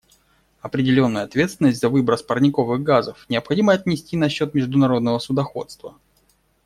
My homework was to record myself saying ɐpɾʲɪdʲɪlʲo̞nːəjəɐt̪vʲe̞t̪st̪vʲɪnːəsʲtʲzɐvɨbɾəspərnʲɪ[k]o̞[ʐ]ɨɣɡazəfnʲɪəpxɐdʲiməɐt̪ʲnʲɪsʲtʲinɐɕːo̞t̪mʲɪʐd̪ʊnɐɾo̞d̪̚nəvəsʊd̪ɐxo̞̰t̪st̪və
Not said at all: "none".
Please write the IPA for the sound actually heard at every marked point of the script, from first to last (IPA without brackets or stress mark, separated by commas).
k, v